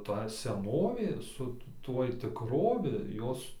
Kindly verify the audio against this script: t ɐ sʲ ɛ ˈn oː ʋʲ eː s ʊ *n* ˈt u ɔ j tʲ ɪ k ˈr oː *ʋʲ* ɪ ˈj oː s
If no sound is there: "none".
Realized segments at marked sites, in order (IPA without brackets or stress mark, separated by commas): none, ʋʲ